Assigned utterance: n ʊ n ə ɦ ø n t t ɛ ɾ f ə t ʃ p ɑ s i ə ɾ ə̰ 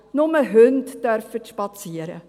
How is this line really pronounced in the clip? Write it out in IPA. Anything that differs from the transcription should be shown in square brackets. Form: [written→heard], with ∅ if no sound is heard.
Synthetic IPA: n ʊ [n→m] ə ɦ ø n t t [ɛ→œ] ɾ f ə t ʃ p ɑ [s→t͡s] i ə ɾ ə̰